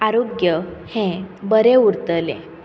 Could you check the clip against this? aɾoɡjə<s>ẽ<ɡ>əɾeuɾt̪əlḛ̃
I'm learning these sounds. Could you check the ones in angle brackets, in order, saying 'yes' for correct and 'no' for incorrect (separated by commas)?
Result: no, no